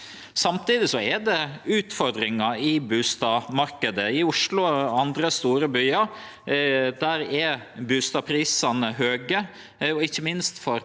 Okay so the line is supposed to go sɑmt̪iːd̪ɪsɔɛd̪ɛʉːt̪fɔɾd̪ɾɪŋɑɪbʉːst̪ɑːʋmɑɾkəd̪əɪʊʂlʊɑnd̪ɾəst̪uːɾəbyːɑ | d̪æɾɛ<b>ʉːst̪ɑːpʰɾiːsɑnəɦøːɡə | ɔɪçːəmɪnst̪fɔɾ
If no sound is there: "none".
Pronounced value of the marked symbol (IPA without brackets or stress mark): b